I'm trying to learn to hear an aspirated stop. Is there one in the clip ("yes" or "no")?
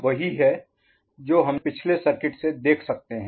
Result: yes